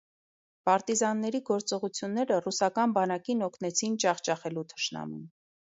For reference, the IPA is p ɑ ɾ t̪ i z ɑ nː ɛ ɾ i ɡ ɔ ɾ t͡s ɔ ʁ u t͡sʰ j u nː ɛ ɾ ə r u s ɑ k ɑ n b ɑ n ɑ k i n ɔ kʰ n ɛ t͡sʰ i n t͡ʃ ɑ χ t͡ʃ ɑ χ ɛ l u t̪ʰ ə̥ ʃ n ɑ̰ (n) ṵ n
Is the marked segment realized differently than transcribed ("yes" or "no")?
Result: yes